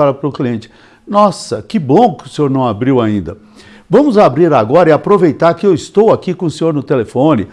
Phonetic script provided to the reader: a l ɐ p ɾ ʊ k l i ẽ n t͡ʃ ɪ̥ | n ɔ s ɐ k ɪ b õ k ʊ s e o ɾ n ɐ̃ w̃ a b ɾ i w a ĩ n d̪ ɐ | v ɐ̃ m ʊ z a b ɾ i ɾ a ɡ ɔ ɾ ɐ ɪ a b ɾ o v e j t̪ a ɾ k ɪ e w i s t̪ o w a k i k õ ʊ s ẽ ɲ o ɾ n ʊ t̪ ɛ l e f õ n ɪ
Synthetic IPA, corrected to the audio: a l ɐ p ɾ ʊ k l i ẽ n t͡ʃ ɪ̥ | n ɔ s ɐ k ɪ b õ k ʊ s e o ɾ n ɐ̃ w̃ a b ɾ i w a ĩ n d̪ ɐ | v ɐ̃ m ʊ z a b ɾ i ɾ a ɡ ɔ ɾ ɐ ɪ a p ɾ o v e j t̪ a ɾ k ɪ e w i s t̪ o w a k i k õ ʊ s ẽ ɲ o ɾ n ʊ t̪ e l e f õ n ɪ